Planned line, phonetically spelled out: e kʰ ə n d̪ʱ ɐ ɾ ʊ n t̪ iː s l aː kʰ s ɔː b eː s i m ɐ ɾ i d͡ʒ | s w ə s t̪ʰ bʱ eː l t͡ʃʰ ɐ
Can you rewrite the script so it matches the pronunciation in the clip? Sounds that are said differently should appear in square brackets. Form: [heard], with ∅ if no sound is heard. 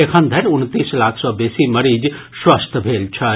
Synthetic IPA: e kʰ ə n d̪ʱ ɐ ɾ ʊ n t̪ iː s l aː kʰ s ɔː b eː s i m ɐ ɾ i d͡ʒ | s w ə s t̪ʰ bʱ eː l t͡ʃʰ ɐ

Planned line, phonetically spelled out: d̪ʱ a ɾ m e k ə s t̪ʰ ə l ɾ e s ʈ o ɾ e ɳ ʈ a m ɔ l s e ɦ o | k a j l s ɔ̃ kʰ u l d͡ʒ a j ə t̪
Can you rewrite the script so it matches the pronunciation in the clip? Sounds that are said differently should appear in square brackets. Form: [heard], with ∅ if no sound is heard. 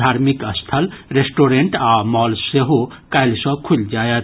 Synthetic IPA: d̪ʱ a ɾ m [i] k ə s t̪ʰ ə l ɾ e s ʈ o ɾ e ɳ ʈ a m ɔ l s e ɦ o | k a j l s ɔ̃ kʰ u l d͡ʒ a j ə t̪

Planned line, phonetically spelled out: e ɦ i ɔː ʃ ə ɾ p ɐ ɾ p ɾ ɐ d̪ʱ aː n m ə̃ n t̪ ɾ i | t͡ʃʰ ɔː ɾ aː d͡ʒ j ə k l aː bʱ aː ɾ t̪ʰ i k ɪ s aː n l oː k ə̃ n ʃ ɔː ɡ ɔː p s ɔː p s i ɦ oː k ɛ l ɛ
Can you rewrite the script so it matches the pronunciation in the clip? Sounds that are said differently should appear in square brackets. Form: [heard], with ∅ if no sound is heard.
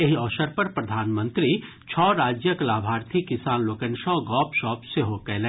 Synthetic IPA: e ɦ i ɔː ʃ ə ɾ p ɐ ɾ p ɾ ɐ d̪ʱ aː n m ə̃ n t̪ ɾ i | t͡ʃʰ ɔː ɾ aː d͡ʒ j ə k l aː bʱ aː ɾ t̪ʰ i k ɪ s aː n l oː k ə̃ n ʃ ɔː ɡ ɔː p [ʃ] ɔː p s [e] ɦ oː k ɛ l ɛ

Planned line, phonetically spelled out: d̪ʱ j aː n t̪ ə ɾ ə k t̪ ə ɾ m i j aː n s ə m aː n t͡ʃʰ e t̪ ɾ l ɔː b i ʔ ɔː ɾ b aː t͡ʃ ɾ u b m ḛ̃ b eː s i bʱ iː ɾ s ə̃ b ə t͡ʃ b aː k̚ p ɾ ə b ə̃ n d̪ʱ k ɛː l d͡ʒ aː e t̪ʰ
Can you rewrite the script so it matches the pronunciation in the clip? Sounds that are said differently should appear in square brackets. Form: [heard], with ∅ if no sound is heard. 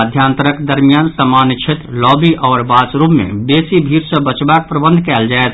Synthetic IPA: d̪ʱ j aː n t̪ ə ɾ ə k [d̪] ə ɾ m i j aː n s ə m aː n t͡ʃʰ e t̪ ɾ l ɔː b i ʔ ɔː ɾ b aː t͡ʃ ɾ u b m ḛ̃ b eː s i bʱ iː ɾ s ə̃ b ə t͡ʃ b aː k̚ p ɾ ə b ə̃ n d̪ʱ k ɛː l d͡ʒ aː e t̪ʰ

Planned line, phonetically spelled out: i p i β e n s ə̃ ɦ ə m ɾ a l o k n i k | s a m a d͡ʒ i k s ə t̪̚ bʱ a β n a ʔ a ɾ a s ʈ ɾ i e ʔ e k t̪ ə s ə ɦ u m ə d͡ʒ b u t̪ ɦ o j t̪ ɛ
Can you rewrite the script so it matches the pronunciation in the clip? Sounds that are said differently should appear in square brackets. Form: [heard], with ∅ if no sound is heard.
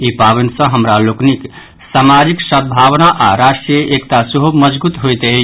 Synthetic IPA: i p [a] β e n s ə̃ ɦ ə m ɾ a l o k n i k | s a m a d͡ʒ i k s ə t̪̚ bʱ a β n a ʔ a ɾ a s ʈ ɾ i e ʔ e k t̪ [a] s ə ɦ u m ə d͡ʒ b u t̪ ɦ o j t̪ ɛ

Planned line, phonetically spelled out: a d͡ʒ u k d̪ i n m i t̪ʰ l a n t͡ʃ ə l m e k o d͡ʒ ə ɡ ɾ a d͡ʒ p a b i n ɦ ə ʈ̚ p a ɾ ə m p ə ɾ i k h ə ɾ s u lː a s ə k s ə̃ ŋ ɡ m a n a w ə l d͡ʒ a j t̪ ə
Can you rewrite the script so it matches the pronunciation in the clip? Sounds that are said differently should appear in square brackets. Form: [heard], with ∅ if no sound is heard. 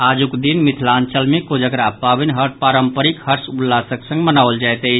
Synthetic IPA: a d͡ʒ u k d̪ i n m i t̪ʰ l a n t͡ʃ ə l m e k o d͡ʒ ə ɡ ɾ a [∅] p a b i n ɦ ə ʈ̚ p a ɾ ə m p ə ɾ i k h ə ɾ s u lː a s ə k s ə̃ ŋ ɡ m [ə] n a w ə l d͡ʒ a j t̪ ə

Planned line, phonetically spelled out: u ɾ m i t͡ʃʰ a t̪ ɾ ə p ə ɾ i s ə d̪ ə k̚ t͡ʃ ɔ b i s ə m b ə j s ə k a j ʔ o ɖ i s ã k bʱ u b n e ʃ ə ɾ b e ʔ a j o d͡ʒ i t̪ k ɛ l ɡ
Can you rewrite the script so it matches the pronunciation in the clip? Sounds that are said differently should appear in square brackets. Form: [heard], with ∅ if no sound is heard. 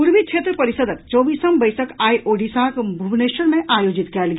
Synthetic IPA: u ɾ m i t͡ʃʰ [e] t̪ ɾ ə p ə ɾ i s ə d̪ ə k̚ t͡ʃ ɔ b i s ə m b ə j s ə k a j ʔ o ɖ i s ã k bʱ u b n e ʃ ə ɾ [m] e ʔ a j o d͡ʒ i t̪ k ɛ l ɡ

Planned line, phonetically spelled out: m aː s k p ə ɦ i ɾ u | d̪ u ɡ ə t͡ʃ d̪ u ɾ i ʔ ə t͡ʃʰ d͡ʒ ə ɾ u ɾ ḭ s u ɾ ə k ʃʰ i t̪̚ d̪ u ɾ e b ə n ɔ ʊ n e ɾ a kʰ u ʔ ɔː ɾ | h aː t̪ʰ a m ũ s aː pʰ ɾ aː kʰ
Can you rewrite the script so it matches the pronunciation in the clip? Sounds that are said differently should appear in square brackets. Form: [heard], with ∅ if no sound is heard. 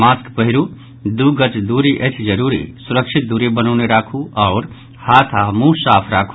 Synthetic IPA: m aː s k p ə ɦ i ɾ u | d̪ u ɡ ə t͡ʃ d̪ u ɾ i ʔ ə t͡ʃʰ d͡ʒ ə ɾ u ɾ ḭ s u ɾ ə k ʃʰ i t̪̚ d̪ u ɾ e b ə n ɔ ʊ n e ɾ a kʰ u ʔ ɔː ɾ | h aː t̪ʰ a m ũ s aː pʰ ɾ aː kʰ

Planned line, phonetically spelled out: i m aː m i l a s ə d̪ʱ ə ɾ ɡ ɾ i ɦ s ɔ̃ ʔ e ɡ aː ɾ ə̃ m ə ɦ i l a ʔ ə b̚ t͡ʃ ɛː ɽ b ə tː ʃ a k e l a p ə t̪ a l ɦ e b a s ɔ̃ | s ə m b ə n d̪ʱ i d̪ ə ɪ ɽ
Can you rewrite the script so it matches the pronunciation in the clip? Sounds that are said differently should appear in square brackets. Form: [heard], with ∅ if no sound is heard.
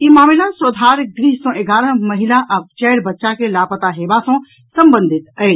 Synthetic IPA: i m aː m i l a s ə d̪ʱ [a] ɾ ɡ ɾ i ɦ s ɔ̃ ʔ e ɡ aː ɾ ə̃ m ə ɦ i l a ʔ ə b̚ t͡ʃ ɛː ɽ b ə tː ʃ a k e l a p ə t̪ a [∅] ɦ e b a s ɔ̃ | s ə m b ə n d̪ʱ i [t̪] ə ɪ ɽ

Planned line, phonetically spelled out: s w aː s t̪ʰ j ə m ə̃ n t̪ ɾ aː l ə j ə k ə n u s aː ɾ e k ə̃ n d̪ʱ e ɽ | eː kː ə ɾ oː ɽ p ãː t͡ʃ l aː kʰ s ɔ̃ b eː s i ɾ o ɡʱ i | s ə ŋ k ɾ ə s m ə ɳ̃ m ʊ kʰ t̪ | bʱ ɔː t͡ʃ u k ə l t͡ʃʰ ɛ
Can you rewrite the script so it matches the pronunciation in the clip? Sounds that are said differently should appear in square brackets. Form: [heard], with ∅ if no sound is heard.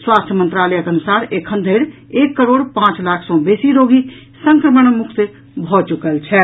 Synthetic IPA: s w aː s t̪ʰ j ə m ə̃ n t̪ ɾ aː l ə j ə k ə n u s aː ɾ e [kʰ] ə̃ n d̪ʱ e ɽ | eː kː ə ɾ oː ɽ p ãː t͡ʃ l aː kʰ s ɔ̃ b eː s i ɾ o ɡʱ i | s ə ŋ k ɾ ə [∅] m ə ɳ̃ m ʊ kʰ t̪ | bʱ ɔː t͡ʃ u k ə l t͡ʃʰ ɛ

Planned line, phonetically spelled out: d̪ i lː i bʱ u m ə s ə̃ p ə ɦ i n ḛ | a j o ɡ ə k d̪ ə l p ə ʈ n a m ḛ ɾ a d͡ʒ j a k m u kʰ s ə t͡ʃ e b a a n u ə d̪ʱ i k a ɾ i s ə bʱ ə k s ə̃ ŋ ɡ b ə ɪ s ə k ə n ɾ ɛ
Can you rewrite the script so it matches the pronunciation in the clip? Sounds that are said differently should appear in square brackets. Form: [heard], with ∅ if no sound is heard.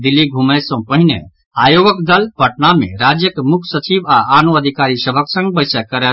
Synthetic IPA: d̪ i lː i [ɡʱ] u m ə s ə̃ p ə ɦ i n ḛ | a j o ɡ ə k d̪ ə l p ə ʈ n a m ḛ ɾ a d͡ʒ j [ə] k m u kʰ s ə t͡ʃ [i] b a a n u ə d̪ʱ i k a ɾ i s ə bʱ ə k s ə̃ ŋ ɡ b ə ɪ s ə k ə [∅] ɾ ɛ

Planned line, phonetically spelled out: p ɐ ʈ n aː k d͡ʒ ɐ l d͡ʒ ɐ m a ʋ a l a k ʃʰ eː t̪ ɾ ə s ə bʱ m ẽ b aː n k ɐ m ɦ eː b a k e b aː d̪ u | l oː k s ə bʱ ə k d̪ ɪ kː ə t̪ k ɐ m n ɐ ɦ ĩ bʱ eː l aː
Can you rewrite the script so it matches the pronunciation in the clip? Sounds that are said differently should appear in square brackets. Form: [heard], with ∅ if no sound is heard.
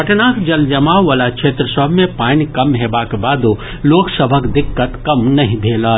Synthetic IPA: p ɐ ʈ n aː k d͡ʒ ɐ l d͡ʒ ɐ m a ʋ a l a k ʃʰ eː t̪ ɾ ə s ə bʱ m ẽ [p] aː n k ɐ m ɦ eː b a k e b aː d̪ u | l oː k s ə bʱ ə k d̪ ɪ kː ə t̪ k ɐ m n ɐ ɦ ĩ bʱ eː l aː

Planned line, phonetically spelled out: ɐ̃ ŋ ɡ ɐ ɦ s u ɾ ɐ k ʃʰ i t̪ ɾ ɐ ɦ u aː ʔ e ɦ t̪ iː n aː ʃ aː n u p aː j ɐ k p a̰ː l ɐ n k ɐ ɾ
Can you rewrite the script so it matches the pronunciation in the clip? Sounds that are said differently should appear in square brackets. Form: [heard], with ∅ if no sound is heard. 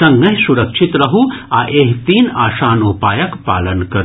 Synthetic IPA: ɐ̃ ŋ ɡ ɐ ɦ s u ɾ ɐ k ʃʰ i t̪ ɾ ɐ ɦ u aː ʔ e ɦ t̪ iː n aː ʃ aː n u p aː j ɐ k p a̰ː l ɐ n k ɐ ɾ

